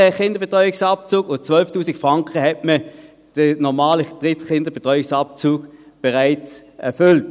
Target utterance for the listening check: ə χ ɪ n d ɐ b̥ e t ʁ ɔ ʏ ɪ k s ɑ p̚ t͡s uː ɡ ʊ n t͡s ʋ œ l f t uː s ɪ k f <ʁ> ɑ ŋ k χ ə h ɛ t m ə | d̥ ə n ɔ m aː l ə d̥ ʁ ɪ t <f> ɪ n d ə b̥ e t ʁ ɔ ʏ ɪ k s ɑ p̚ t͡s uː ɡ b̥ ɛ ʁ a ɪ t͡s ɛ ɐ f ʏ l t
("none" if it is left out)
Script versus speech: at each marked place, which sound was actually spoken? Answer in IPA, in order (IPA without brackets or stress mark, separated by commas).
ʁ, χ